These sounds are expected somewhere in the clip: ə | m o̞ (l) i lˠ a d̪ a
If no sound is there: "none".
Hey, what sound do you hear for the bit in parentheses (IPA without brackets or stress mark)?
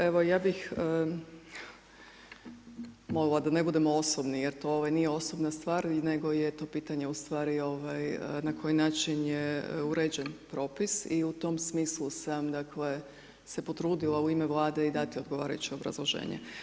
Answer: l